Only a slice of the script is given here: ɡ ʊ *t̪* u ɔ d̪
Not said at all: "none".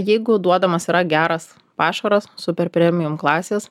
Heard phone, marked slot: d̪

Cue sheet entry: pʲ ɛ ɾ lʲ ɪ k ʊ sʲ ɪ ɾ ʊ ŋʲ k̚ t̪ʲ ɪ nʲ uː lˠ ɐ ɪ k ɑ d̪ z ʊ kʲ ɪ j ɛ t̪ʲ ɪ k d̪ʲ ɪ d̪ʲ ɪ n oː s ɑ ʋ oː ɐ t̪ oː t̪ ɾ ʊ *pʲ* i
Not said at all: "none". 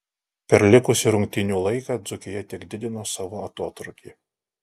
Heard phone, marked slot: kʲ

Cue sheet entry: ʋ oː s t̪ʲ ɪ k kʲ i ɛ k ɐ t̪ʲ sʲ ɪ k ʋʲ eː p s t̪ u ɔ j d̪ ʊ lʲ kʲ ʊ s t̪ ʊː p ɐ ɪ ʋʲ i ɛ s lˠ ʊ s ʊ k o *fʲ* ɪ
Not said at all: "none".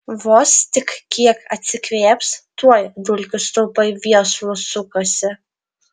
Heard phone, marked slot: sʲ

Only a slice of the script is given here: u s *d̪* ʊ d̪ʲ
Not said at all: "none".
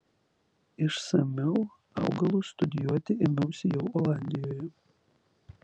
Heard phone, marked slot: t̪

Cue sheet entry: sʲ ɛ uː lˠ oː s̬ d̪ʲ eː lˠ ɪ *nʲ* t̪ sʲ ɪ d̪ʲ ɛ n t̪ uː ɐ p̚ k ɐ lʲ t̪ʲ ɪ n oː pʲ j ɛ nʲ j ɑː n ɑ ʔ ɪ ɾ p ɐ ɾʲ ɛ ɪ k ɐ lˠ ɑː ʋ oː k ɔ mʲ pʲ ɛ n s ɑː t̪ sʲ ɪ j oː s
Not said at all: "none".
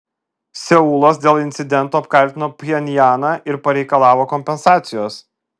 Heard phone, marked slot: nʲ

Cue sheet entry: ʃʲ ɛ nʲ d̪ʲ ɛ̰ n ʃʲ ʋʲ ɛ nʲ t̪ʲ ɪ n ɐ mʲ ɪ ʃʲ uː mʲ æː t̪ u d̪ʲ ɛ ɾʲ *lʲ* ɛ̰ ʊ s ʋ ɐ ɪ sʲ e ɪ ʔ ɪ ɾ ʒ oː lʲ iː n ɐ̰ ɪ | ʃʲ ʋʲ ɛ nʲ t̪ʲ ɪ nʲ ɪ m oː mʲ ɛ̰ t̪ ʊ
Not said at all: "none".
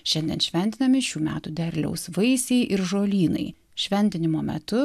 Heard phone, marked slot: lʲ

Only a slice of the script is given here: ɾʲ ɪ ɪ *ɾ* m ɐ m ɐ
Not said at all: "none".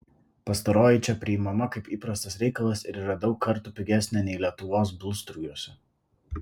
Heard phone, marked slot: none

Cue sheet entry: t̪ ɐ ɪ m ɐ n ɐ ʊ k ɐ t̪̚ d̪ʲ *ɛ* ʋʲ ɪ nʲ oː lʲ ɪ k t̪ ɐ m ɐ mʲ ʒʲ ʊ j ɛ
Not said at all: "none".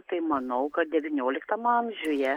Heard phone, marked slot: ɛ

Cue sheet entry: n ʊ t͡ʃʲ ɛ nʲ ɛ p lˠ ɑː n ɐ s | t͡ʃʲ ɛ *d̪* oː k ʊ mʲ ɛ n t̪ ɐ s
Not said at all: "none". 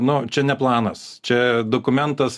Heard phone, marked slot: d̪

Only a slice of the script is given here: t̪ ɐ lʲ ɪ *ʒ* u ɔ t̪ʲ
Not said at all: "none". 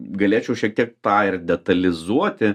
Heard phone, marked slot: z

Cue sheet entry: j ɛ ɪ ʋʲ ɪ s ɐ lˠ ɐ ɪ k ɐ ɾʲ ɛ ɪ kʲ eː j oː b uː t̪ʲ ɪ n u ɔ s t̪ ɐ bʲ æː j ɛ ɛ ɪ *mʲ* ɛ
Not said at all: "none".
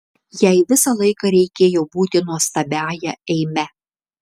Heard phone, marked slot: mʲ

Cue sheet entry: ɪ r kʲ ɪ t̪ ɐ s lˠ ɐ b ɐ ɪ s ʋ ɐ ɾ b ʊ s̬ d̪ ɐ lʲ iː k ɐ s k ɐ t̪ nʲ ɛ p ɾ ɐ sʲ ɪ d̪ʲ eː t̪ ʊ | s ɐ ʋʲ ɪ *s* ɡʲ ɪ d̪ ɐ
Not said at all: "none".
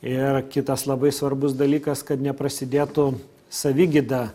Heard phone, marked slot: none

